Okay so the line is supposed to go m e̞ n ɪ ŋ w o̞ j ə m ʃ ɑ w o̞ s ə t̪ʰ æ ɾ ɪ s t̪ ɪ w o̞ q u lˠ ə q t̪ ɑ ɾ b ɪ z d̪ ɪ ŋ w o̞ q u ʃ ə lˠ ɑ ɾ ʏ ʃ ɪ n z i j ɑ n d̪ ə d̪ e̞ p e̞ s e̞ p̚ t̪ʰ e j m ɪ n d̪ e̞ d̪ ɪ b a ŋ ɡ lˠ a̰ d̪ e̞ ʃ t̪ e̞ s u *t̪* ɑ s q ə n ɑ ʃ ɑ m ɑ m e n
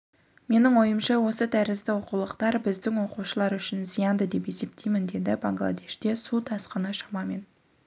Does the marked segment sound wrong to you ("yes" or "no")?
yes